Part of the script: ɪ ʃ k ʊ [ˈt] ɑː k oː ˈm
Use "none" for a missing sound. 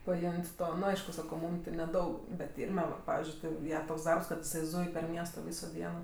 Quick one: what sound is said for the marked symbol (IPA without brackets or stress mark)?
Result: s